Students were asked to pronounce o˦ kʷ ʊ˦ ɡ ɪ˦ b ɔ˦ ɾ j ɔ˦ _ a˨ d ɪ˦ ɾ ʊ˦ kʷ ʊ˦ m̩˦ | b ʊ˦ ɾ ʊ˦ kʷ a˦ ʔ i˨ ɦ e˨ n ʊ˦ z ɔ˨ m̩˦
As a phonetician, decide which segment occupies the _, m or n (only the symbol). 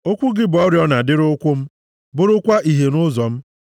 n